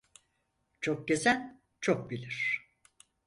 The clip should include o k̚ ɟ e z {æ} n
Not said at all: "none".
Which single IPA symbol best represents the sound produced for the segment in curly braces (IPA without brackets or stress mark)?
æ